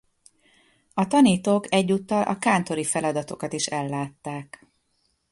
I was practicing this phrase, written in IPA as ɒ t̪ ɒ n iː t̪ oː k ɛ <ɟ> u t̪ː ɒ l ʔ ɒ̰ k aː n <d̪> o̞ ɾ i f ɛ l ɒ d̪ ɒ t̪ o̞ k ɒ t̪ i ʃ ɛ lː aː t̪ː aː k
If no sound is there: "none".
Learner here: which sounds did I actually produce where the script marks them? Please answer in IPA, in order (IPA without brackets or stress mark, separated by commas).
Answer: ɟː, t̪